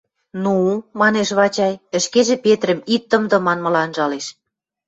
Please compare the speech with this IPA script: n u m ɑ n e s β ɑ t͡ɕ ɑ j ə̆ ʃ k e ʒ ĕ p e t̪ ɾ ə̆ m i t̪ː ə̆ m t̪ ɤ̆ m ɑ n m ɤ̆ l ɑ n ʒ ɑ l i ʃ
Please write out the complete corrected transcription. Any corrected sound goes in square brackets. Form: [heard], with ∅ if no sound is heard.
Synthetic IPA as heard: n u m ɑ n e [ʃ] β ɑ t͡ɕ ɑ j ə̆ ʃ k e ʒ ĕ p e t̪ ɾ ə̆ m i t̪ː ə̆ m [d̪] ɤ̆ m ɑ n m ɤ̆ l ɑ n ʒ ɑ l [e] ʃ